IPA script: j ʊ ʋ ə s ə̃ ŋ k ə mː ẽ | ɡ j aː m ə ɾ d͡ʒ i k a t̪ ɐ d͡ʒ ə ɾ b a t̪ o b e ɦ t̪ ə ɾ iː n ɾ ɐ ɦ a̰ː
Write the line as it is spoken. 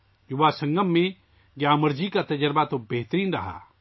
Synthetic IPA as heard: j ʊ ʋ a s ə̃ ŋ ɡ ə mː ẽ | ɡ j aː m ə ɾ d͡ʒ i k a t̪ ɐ d͡ʒ ə ɾ b a t̪ o b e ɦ t̪ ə ɾ iː n ɾ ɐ ɦ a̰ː

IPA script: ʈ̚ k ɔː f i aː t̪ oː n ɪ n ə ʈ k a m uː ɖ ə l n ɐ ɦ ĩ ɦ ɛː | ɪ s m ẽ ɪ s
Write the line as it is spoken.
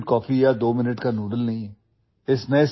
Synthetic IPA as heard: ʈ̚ k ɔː f i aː d̪ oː m ɪ n ə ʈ k a n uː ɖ ə l n ɐ ɦ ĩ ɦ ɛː | ɪ s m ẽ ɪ s

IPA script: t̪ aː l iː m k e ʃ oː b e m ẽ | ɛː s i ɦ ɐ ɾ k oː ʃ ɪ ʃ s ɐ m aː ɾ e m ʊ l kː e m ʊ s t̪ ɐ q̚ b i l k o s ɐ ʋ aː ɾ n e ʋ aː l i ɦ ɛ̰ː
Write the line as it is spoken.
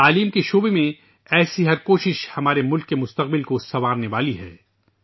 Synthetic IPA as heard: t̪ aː l iː m k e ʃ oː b e m ẽ | ɛː s i ɦ ɐ ɾ k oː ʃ ɪ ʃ h ɐ m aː ɾ e m ʊ l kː e m ʊ s t̪ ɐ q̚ b ɪ l k o s ɐ ʋ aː ɾ n e ʋ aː l i ɦ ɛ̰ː

